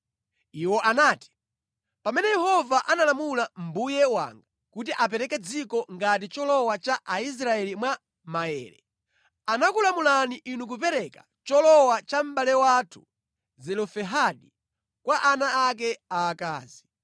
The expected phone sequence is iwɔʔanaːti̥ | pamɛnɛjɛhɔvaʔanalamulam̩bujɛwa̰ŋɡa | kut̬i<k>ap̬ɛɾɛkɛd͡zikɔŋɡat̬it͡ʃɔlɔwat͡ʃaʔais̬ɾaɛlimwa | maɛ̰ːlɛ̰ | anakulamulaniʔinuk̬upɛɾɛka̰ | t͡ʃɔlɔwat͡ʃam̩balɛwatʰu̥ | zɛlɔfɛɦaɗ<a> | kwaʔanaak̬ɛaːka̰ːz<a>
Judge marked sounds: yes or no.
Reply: no, no, no

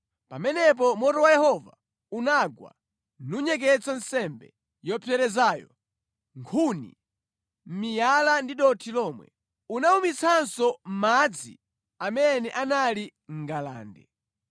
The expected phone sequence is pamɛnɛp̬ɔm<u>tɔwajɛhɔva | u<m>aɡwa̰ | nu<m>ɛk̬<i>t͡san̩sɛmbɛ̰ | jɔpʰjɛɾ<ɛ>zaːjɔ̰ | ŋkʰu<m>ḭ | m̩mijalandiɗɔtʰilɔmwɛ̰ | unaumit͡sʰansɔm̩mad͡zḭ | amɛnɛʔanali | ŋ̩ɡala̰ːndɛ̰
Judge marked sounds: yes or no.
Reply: no, no, no, no, yes, no

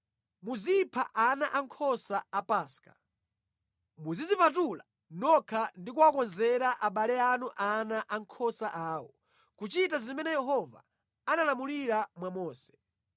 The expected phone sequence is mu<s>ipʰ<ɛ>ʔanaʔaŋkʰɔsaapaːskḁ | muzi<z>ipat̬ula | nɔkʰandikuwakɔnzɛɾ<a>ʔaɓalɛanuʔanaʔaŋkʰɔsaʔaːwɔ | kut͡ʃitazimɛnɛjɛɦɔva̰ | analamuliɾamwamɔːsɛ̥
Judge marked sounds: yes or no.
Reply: no, no, yes, yes

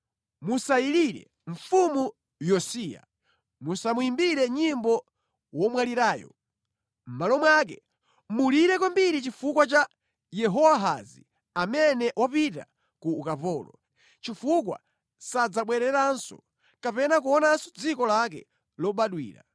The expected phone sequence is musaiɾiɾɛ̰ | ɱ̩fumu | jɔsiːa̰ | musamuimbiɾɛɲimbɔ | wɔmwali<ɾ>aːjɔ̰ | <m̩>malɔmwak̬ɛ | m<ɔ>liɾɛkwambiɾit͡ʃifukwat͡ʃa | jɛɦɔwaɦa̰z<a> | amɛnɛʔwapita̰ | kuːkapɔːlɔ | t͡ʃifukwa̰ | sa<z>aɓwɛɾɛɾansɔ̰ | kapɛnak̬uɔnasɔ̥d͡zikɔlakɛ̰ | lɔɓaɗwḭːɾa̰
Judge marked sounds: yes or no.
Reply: yes, yes, no, no, no

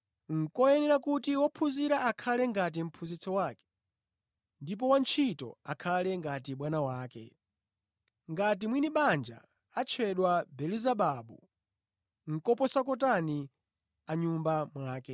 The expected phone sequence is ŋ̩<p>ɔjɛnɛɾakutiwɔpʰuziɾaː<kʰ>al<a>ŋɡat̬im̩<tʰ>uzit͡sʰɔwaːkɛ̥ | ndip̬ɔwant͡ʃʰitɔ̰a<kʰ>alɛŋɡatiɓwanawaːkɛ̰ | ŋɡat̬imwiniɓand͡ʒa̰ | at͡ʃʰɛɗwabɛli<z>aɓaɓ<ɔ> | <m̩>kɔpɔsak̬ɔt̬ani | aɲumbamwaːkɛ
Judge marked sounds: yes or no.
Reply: no, yes, no, no, yes, yes, no, no

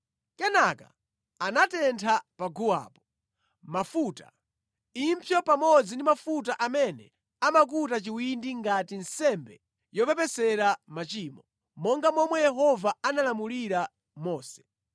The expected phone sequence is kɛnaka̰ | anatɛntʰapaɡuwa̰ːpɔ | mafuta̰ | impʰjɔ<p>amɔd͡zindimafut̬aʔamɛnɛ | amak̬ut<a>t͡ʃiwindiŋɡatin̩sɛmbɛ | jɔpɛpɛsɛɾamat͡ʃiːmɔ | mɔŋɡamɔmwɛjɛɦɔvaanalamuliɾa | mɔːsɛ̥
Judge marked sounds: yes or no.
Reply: yes, yes

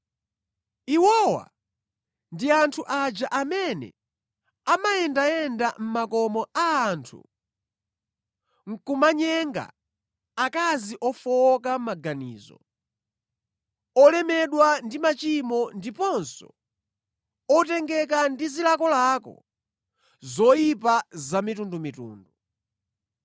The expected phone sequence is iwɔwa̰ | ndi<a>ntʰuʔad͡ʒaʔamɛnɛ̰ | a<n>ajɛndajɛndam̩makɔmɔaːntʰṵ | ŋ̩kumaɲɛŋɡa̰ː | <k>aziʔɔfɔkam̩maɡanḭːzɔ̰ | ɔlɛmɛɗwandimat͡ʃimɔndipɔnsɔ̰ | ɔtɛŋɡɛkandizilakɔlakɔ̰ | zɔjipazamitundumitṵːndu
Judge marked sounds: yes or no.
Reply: yes, no, yes

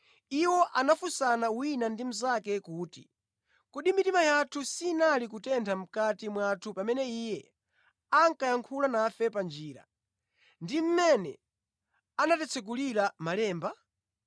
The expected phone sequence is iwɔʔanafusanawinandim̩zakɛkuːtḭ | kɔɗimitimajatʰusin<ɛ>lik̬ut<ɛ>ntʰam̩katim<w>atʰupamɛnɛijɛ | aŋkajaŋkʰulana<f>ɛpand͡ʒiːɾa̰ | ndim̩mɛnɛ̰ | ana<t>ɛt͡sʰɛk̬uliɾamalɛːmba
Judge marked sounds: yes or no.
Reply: no, yes, yes, yes, yes

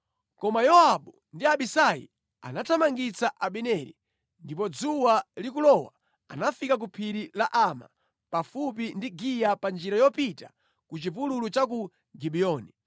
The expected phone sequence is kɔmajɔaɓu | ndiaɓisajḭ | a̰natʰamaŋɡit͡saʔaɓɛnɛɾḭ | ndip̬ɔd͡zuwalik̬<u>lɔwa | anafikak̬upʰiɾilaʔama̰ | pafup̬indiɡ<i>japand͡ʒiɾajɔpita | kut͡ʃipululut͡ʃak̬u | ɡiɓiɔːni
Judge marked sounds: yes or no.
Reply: yes, yes

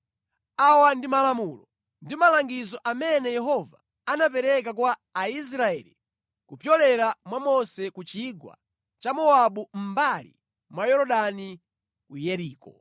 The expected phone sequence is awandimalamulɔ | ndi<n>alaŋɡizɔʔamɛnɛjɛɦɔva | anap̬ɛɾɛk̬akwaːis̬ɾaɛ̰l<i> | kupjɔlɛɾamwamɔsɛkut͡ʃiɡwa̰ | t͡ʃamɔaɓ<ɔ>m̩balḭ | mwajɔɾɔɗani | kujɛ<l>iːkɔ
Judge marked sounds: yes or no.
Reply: no, yes, no, no

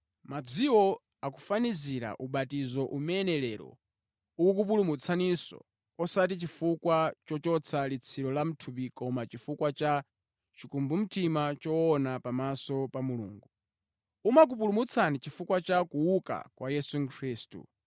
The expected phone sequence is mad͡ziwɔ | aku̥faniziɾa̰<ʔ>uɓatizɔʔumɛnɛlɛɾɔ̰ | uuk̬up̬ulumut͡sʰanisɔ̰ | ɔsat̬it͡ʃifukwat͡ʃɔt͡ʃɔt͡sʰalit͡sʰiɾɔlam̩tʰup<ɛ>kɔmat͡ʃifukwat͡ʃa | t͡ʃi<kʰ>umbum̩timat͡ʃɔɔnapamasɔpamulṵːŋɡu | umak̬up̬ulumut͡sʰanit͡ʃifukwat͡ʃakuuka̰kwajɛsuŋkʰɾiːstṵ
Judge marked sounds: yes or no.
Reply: yes, no, no

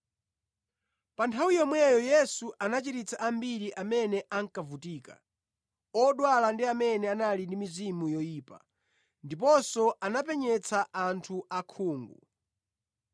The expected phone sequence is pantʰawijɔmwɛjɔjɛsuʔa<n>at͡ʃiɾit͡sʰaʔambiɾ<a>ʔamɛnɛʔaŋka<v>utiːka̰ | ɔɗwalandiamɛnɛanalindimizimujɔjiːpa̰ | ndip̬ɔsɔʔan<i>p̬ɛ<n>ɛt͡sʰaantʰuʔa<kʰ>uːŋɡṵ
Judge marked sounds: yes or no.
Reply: yes, no, yes, no, no, yes

